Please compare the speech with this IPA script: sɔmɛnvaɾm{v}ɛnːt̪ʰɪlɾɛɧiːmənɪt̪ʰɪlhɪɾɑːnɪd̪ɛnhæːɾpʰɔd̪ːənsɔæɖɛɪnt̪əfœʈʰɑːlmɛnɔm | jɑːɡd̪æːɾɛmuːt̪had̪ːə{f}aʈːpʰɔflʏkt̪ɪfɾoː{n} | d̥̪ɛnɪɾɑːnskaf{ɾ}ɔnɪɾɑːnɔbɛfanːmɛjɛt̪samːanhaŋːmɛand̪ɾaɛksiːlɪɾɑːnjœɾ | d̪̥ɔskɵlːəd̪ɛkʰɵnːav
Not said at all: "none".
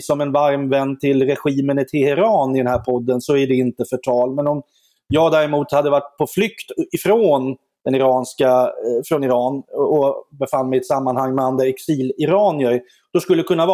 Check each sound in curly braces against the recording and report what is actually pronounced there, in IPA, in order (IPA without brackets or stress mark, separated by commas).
v, v, n, ɾ